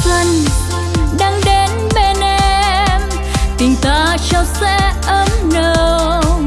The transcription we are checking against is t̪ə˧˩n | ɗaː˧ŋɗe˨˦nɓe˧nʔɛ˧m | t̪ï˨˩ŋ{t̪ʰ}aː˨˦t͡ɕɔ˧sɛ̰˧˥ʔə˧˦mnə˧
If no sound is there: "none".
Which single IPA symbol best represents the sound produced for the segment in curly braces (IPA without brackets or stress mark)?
t̪